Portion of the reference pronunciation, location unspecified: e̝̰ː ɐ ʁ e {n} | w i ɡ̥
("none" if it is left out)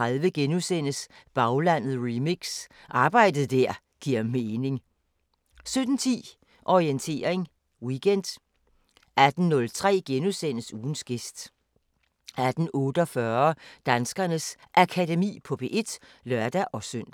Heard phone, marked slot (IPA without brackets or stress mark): ŋ